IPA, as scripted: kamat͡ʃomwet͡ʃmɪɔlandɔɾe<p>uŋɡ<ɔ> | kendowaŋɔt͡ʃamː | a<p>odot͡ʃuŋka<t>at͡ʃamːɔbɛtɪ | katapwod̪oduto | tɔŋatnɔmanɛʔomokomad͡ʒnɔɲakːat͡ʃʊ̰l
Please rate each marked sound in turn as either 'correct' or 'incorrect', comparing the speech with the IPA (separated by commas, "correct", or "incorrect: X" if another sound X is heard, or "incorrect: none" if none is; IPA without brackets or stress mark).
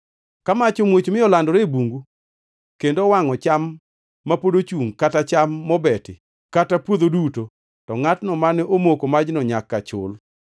incorrect: b, incorrect: u, correct, correct